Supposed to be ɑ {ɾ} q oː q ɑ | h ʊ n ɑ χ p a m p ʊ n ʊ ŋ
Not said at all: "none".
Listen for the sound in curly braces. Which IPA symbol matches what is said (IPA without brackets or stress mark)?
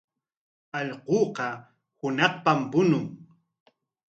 ʎ